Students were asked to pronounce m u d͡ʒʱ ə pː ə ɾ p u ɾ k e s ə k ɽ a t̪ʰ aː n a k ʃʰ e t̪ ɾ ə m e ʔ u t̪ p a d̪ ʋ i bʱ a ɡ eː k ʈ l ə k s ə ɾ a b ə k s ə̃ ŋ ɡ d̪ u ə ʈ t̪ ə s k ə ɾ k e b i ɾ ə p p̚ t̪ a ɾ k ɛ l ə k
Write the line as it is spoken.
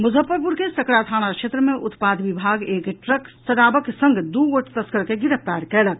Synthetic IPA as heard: m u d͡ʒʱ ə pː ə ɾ p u ɾ k e s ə k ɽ a t̪ʰ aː n a k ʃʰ e t̪ ɾ ə m e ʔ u t̪ p a d̪ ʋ i bʱ a ɡ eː k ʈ ɾ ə k s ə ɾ a b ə k s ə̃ ŋ ɡ d̪ u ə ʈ t̪ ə s k ə ɾ k e ɡ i ɾ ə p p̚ t̪ a ɾ k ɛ l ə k

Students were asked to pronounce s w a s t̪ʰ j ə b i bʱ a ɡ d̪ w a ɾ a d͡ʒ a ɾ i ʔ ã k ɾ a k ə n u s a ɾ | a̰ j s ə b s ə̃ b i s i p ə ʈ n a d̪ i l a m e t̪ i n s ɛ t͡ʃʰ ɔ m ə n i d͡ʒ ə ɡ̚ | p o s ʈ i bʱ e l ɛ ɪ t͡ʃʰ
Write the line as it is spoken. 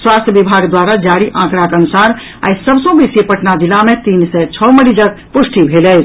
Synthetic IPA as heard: s w a s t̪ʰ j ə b i bʱ a ɡ d̪ w a ɾ a d͡ʒ a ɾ i ʔ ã k ɾ a k ə n u s a ɾ | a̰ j s ə b s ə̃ b i s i p ə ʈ n a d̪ i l a m e t̪ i n s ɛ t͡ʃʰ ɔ m ə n i d͡ʒ ə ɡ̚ | p u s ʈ i bʱ e l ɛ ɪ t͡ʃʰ

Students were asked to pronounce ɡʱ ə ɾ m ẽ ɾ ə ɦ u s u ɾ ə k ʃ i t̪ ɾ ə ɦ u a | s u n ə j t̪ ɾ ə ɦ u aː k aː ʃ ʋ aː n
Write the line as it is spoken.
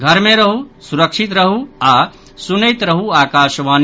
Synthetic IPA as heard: ɡʱ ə ɾ m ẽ ɾ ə ɦ u s u ɾ ə k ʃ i t̪ ɾ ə ɦ u a | s u n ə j t̪ ɾ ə ɦ u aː k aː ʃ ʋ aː n

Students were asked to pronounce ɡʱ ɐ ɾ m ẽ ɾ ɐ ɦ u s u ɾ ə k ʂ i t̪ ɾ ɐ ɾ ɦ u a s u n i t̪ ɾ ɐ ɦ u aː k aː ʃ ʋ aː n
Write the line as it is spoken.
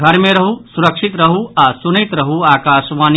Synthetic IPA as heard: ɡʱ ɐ ɾ m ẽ ɾ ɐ ɦ u s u ɾ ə k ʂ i t̪ ɾ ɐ ɦ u a s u n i t̪ ɾ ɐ ɦ u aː k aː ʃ ʋ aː n

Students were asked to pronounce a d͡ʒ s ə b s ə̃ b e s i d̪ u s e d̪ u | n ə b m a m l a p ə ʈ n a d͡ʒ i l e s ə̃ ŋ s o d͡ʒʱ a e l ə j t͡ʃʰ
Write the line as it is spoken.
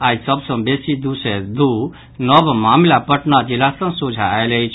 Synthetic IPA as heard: a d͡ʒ s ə b s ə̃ b e s i d̪ u s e d̪ u | n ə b m a m l a p ə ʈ n a d͡ʒ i l a s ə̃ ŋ s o d͡ʒʱ a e l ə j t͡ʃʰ

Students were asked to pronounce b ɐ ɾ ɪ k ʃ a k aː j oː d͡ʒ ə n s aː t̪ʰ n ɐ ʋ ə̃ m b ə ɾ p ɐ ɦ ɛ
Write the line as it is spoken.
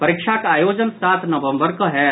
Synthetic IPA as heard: p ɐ ɾ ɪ k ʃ a k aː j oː d͡ʒ ə n s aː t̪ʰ n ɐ ʋ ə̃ m b ə ɾ k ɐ ɦ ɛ

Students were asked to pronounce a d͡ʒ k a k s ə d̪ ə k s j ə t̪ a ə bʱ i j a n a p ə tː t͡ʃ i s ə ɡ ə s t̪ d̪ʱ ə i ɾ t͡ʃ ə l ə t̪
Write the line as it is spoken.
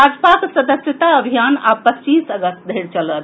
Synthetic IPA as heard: a d͡ʒ p a k s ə d̪ ə s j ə t̪ a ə bʱ i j a n a p ə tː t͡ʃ i s ə ɡ ə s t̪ d̪ʱ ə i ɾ t͡ʃ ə l ə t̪

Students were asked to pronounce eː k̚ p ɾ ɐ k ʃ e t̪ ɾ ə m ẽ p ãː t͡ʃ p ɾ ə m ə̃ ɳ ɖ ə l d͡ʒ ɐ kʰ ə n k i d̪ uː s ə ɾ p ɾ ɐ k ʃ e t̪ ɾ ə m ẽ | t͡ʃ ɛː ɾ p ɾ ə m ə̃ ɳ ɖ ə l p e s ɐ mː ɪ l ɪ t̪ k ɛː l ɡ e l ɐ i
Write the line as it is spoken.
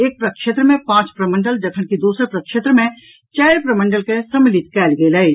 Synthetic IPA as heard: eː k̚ p ɾ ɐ k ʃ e t̪ ɾ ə m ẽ p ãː t͡ʃ p ɾ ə m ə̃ ɳ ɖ ə l d͡ʒ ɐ kʰ ə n k i d̪ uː s ə ɾ p ɾ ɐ k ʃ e t̪ ɾ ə m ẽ | t͡ʃ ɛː ɾ p ɾ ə m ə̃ ɳ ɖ ə l k e s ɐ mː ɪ l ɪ t̪ k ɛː l ɡ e l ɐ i

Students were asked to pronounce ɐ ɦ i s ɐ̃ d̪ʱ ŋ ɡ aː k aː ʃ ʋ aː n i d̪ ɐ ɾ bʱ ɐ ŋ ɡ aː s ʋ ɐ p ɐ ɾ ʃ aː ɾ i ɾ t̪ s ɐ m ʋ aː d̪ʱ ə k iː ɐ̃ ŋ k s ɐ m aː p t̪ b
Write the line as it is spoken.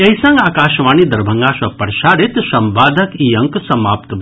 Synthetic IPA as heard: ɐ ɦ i s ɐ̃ ŋ ɡ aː k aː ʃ ʋ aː n i d̪ ɐ ɾ bʱ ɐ ŋ ɡ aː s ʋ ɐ p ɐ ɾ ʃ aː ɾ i t̪ s ɐ m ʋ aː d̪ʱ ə k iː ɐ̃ ŋ k s ɐ m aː p t̪ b

